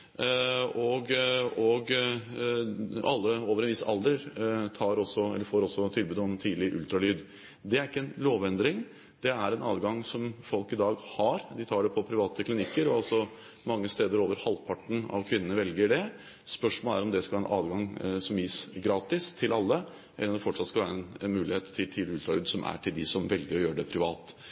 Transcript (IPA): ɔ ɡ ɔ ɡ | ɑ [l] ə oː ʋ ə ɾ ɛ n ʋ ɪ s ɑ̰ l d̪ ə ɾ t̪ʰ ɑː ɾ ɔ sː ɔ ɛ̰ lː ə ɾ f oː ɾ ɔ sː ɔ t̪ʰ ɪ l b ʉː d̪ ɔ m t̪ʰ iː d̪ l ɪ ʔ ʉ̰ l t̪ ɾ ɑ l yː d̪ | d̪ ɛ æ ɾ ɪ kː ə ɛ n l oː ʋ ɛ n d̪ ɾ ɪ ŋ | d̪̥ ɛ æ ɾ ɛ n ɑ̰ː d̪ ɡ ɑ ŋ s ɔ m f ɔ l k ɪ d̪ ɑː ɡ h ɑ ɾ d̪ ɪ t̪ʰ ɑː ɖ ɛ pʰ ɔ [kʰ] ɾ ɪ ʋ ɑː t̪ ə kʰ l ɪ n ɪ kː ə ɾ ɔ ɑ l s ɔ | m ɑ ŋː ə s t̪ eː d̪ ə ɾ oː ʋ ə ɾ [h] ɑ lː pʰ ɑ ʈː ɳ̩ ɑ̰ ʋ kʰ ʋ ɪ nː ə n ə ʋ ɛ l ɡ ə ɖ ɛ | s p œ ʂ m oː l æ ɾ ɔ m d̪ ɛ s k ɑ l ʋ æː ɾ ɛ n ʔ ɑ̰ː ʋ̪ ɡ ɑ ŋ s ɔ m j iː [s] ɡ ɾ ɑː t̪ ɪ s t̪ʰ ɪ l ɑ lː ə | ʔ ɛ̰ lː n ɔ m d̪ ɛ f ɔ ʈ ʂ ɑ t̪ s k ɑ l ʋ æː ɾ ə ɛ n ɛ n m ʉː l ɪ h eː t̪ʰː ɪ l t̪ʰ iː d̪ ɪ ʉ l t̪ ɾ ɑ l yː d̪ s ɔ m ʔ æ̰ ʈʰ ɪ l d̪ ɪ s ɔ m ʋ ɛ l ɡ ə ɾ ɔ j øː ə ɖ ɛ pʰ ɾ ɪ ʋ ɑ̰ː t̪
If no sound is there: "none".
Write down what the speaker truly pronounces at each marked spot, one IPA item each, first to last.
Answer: lː, pʰ, h, s

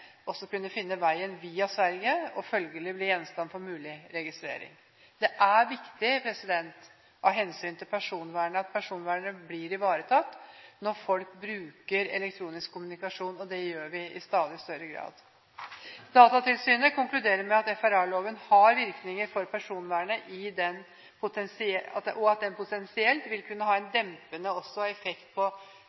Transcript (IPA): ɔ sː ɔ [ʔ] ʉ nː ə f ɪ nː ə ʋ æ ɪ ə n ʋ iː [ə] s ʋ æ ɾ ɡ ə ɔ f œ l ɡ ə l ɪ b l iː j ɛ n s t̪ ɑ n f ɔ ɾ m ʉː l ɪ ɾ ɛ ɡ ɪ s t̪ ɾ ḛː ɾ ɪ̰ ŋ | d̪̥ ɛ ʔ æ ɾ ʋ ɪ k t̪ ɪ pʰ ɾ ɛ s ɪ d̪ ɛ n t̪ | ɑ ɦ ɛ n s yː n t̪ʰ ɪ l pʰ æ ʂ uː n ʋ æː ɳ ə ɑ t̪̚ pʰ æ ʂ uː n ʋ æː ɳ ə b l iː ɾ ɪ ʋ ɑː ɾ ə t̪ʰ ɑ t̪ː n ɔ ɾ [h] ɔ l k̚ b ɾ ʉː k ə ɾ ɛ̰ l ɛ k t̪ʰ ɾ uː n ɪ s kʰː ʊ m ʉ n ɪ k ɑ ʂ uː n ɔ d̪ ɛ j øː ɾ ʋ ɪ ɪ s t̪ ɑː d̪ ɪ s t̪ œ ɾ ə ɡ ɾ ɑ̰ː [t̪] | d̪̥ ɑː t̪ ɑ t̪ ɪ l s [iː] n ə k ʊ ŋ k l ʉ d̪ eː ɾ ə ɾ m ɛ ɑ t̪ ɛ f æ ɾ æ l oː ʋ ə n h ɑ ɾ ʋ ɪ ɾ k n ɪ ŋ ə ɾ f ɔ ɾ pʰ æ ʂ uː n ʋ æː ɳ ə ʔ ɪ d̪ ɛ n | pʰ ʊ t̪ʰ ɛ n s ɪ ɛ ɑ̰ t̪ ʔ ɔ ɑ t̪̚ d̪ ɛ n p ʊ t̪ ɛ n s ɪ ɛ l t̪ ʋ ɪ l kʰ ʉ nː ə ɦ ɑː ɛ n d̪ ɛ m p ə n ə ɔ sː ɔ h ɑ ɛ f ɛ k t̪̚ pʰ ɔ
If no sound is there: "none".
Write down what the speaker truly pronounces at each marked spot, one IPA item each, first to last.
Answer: k, ɑ, f, d̪, yː

